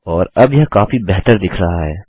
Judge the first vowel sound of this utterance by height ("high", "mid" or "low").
mid